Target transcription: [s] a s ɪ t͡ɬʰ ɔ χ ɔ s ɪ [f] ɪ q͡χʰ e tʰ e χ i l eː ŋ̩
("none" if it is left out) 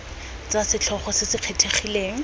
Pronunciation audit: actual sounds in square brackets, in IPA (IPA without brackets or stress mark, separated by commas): t͡s, s